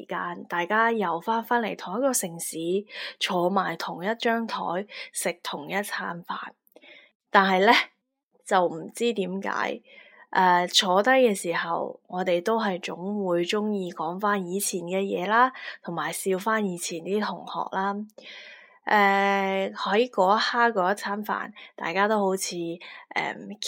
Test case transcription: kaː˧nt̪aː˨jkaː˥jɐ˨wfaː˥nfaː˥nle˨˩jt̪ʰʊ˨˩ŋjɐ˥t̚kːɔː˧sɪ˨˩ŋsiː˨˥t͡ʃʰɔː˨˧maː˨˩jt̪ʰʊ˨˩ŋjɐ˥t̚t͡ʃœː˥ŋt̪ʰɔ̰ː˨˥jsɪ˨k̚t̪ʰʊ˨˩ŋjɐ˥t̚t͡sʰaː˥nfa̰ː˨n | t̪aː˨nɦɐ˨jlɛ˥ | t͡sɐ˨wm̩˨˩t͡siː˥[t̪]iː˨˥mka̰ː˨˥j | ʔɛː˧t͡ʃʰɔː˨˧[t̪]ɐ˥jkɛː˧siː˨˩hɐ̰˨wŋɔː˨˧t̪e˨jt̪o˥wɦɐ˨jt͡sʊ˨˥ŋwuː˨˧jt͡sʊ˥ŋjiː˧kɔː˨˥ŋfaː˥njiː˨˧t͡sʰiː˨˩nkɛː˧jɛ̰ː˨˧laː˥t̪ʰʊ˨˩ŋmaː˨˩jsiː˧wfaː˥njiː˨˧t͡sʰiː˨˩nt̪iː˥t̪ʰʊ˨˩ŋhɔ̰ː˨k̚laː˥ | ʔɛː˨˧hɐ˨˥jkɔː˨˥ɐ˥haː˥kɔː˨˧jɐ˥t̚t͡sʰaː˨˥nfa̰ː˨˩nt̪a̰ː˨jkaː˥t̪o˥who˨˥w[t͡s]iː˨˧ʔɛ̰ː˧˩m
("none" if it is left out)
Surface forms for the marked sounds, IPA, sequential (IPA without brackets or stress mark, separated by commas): t̪, t̪, t͡sʰ